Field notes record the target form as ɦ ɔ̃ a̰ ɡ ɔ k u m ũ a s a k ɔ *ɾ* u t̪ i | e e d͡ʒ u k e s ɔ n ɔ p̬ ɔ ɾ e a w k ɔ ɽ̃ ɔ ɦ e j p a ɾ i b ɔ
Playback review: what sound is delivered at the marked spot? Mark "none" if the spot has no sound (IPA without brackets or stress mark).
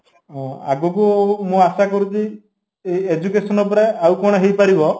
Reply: ɾ